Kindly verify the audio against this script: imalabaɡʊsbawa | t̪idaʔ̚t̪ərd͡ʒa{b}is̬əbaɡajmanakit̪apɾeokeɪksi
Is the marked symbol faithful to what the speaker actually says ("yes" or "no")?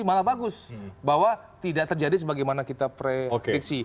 no